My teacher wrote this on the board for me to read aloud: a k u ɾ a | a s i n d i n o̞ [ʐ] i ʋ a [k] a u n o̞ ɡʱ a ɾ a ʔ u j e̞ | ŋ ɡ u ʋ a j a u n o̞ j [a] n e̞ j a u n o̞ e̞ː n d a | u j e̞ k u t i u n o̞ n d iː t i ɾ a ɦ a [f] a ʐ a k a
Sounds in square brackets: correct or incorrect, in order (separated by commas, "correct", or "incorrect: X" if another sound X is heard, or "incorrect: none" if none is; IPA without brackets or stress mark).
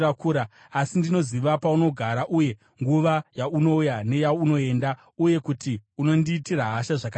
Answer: incorrect: z, incorrect: p, correct, incorrect: ʃ